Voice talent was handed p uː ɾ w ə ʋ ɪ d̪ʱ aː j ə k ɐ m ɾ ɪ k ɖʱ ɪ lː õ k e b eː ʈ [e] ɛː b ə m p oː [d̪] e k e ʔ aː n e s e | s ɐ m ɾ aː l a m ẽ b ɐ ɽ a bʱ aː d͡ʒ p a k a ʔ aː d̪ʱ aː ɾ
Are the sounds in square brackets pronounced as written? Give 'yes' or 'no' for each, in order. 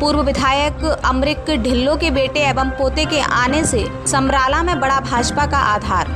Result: yes, no

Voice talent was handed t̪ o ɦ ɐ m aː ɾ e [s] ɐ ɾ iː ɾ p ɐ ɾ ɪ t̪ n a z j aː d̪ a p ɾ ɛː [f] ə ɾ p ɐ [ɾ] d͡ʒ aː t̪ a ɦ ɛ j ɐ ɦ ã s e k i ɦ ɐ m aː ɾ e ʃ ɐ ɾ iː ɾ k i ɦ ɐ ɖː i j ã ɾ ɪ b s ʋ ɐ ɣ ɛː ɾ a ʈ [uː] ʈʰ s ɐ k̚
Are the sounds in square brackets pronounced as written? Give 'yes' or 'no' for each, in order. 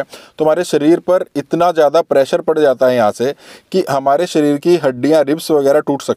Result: no, no, no, yes

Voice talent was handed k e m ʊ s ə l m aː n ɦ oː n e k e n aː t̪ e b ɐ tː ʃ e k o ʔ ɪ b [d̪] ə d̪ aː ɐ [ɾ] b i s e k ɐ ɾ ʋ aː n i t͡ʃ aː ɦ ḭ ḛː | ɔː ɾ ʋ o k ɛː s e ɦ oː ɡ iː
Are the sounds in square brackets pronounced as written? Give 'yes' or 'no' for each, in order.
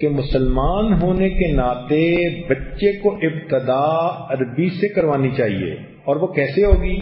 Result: no, yes

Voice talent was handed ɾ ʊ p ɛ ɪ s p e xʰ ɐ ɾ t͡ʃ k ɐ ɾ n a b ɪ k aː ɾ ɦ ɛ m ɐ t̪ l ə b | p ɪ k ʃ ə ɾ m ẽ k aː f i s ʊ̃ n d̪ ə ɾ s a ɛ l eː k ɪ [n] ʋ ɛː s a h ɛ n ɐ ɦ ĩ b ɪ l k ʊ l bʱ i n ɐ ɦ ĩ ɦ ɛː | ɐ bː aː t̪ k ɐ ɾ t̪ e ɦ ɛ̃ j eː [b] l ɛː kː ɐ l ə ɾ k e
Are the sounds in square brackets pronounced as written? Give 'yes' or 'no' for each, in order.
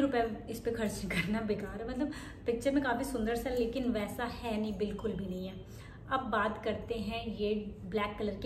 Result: yes, yes

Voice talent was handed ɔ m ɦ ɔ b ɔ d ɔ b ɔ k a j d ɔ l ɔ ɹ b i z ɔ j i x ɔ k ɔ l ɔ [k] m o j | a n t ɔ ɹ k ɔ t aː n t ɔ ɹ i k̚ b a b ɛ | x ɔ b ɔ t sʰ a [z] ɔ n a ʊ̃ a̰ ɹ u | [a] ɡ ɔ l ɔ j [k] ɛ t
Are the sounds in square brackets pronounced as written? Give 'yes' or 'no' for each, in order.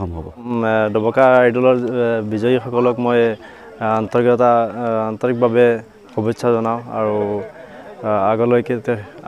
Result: yes, yes, yes, yes

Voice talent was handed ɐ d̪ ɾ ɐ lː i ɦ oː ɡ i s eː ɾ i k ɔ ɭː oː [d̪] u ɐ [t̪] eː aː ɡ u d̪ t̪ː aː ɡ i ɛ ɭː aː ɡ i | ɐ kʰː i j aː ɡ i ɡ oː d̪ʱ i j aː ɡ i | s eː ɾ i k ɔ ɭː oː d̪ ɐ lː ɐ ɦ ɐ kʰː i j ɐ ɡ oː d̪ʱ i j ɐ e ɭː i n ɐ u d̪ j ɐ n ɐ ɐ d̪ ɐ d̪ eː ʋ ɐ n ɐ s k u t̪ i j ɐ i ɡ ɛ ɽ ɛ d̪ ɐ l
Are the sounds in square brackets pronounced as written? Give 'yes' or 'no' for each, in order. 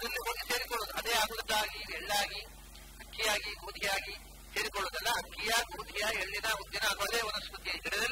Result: yes, no

